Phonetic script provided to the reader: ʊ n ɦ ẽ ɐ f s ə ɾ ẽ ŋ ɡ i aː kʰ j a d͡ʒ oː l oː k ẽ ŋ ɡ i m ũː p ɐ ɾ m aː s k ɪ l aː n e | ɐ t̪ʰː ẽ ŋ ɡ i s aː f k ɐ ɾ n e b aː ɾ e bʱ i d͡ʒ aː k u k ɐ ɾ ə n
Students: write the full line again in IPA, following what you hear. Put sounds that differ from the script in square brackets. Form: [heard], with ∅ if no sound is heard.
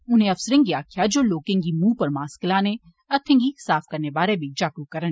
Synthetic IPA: ʊ n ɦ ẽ ɐ f s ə ɾ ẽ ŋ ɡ i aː kʰ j a d͡ʒ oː l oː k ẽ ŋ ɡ i m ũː p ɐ ɾ m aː s k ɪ l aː n e | ɐ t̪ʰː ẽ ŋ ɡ i s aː f k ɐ ɾ n e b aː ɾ e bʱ i d͡ʒ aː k u k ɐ ɾ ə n